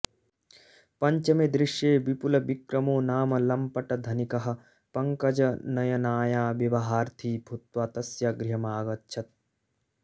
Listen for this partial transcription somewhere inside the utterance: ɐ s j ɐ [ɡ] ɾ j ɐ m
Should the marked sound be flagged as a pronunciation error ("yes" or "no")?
no